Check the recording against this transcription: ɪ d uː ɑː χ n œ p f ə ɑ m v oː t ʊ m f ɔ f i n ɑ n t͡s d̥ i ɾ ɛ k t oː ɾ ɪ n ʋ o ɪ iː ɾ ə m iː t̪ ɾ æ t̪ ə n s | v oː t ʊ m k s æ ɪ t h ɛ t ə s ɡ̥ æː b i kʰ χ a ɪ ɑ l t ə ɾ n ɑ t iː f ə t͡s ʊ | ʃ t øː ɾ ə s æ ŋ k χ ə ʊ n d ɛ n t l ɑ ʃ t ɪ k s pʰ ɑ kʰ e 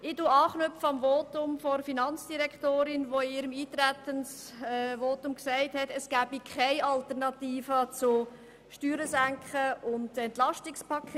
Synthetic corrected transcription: ɪ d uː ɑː χ n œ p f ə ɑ m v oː t ʊ m f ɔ f i n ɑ n t͡s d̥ i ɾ ɛ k t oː ɾ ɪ n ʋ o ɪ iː ɾ ə m iː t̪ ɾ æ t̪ ə n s | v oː t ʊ m k s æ ɪ t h ɛ t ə s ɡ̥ æː b i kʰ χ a ɪ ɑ l t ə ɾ n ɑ t iː f ə t͡s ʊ | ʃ t yː ɾ ə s æ ŋ k χ ə ʊ n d ɛ n t l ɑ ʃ t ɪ k s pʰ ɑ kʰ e